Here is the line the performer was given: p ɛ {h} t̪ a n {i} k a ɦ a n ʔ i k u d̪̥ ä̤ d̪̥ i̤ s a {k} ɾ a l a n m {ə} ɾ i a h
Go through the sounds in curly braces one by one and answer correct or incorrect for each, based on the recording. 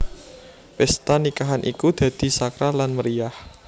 incorrect, correct, correct, correct

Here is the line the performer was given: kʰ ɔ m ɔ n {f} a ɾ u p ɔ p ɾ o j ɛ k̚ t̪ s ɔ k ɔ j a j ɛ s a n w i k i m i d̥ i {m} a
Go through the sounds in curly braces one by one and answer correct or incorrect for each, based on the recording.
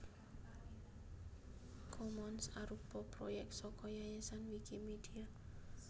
incorrect, incorrect

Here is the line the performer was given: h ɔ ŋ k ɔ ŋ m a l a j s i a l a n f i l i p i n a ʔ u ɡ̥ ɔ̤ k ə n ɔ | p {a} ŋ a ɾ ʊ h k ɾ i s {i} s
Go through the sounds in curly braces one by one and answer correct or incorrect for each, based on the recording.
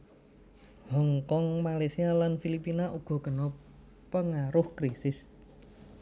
incorrect, incorrect

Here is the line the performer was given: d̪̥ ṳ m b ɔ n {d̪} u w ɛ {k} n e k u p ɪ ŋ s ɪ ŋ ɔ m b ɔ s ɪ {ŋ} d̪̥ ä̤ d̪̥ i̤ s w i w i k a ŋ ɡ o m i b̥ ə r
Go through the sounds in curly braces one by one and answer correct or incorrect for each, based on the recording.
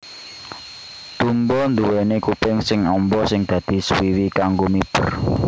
correct, incorrect, correct

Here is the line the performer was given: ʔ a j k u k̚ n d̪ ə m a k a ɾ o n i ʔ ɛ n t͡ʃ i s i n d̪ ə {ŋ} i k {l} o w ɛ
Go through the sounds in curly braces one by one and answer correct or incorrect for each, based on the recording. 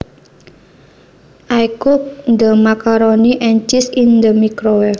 incorrect, incorrect

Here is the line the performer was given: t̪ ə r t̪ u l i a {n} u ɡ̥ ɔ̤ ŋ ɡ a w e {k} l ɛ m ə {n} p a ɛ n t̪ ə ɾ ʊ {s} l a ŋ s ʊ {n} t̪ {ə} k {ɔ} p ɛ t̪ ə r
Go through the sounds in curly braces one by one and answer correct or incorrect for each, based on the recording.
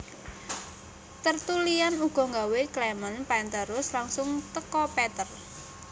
correct, correct, correct, correct, incorrect, correct, correct

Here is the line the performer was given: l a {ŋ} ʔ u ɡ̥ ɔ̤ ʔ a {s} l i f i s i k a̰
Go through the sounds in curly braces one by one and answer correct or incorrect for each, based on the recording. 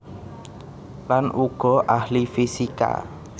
incorrect, incorrect

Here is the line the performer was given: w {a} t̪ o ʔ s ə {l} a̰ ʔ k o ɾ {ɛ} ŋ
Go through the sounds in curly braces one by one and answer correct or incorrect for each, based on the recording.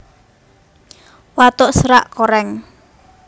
correct, incorrect, correct

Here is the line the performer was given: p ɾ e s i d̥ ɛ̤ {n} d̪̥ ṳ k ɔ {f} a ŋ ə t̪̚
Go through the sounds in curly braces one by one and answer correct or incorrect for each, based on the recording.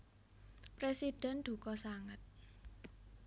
correct, incorrect

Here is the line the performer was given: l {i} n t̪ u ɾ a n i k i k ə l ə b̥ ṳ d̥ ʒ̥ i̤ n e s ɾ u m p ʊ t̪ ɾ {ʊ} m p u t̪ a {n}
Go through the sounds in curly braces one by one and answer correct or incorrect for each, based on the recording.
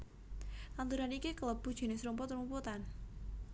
incorrect, incorrect, correct

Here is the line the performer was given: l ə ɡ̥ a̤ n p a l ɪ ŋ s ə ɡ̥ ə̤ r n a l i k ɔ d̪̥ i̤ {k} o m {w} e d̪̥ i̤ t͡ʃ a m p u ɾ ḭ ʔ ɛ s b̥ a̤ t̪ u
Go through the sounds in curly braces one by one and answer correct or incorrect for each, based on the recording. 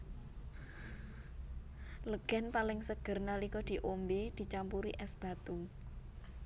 incorrect, incorrect

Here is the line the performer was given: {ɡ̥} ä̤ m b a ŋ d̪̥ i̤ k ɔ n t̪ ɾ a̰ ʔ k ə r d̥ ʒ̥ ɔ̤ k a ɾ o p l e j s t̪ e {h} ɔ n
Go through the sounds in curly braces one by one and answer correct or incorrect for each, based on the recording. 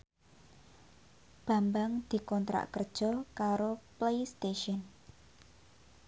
incorrect, incorrect

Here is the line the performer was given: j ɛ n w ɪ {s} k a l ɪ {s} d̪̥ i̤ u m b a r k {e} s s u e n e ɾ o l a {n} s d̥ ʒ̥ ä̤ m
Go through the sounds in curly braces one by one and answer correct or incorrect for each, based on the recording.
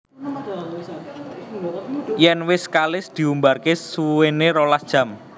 correct, correct, correct, incorrect

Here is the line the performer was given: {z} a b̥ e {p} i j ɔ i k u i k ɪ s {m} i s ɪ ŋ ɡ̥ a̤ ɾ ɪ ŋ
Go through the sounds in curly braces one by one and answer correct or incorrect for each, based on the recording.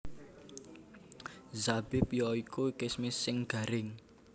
correct, correct, correct

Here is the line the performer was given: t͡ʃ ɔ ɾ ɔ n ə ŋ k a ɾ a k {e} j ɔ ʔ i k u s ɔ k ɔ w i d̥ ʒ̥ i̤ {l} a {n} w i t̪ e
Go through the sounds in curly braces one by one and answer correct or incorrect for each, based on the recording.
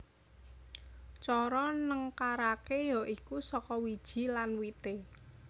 correct, correct, correct

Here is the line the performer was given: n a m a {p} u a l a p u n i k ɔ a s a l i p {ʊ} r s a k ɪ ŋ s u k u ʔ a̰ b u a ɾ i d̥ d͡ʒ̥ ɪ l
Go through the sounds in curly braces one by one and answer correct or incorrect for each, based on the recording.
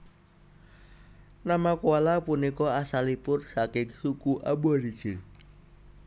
incorrect, correct

